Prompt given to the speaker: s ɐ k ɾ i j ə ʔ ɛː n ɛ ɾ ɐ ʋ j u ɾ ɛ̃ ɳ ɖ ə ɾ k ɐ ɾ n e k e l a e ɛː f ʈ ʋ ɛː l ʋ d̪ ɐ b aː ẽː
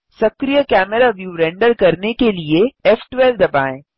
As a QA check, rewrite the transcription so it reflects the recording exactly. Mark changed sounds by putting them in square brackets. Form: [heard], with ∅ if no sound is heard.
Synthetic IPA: s ɐ k ɾ i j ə [k] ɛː [m] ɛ ɾ [a] ʋ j u ɾ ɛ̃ ɳ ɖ ə ɾ k ɐ ɾ n e k e l [i] e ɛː f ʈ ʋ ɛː l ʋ d̪ ɐ b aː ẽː